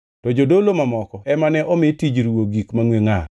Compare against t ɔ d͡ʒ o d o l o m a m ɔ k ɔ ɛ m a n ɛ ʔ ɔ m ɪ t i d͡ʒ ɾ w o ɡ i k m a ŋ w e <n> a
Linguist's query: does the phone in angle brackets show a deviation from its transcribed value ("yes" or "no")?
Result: yes